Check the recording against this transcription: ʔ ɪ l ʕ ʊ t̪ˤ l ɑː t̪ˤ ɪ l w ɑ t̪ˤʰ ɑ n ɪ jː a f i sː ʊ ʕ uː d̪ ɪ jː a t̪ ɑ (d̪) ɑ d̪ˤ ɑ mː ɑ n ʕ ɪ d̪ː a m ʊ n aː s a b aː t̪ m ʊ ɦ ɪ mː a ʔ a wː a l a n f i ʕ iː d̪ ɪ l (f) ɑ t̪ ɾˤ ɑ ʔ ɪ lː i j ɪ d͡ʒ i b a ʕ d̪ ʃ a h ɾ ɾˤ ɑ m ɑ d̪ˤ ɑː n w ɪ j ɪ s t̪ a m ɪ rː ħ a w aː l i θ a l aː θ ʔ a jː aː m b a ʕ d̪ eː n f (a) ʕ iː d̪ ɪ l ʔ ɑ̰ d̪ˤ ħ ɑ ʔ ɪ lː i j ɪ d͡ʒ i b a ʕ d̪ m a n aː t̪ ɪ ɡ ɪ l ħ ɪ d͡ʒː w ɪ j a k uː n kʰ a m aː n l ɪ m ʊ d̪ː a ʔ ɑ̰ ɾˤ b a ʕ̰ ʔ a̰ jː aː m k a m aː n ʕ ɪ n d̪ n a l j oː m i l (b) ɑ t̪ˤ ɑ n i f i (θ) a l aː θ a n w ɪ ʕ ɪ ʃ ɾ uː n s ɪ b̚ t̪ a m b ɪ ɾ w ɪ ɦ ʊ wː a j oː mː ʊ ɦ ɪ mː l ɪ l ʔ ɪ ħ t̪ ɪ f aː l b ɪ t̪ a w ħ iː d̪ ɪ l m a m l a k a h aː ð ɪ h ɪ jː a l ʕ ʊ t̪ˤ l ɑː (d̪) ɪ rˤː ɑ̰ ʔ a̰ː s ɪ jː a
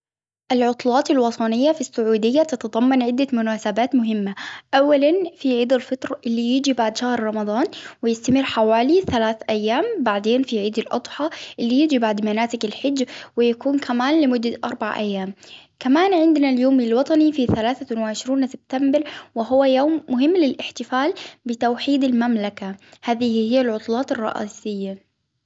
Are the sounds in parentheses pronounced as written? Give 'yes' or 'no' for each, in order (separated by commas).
no, yes, no, no, yes, no